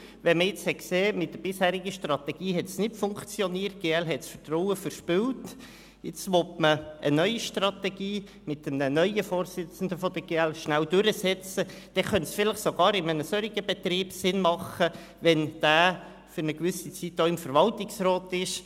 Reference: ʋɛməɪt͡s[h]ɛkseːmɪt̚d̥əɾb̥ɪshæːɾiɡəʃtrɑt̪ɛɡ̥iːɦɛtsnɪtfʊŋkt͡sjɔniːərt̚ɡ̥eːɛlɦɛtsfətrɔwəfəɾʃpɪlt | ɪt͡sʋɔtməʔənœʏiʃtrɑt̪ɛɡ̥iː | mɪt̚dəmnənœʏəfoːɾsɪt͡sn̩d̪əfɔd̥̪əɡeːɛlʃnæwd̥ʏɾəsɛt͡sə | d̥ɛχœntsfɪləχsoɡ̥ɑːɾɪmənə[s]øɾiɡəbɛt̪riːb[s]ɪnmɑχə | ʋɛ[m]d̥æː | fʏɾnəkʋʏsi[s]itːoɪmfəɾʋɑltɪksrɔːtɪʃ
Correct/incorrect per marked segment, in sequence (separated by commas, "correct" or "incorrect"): correct, correct, correct, incorrect, incorrect